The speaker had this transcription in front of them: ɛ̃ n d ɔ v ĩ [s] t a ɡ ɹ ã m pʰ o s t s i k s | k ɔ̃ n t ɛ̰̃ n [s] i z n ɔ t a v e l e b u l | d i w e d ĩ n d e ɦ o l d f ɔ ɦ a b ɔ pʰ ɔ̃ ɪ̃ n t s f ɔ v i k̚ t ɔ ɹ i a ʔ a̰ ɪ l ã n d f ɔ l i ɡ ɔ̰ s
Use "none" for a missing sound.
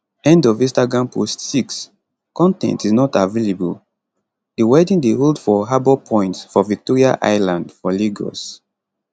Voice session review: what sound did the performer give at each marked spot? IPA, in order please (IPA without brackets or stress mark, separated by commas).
s, t